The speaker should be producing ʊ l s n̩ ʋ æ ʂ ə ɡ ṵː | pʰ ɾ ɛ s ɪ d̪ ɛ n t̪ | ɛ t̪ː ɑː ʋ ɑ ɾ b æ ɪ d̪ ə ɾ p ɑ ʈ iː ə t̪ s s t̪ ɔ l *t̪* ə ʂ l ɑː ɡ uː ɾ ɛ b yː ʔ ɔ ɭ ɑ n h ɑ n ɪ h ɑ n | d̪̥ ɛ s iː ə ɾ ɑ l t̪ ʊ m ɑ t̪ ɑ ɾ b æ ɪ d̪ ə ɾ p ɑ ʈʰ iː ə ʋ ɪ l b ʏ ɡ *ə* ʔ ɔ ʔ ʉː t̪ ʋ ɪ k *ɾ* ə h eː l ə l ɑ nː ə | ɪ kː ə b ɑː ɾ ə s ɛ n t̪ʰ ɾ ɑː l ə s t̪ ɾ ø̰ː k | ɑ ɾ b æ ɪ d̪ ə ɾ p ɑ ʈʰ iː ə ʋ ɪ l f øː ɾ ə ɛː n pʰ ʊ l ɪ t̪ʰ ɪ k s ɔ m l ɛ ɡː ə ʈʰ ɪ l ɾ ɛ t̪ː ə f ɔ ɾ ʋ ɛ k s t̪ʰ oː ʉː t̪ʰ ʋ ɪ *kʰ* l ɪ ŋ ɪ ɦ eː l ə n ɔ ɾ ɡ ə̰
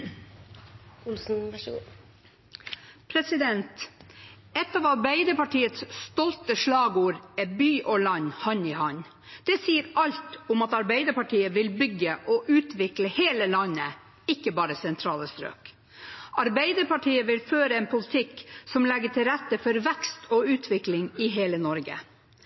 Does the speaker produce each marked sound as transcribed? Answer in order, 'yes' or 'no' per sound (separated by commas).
yes, yes, no, no